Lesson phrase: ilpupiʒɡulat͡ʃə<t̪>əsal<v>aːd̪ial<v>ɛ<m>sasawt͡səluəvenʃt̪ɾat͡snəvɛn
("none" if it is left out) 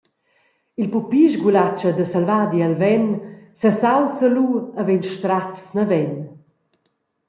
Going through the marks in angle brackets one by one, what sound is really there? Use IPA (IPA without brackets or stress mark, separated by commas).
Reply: d̪, v, v, n